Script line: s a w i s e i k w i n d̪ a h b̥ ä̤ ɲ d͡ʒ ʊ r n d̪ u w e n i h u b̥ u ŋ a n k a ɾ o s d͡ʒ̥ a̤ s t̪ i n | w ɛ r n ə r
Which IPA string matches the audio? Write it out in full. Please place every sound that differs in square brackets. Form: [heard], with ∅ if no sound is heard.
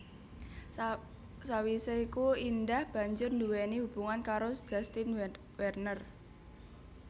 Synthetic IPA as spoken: s a w i s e i k [u] i n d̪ a h b̥ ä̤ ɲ d͡ʒ ʊ r n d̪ u w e n i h u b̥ u ŋ a n k a ɾ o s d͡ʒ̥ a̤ s t̪ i n | w ɛ r n ə r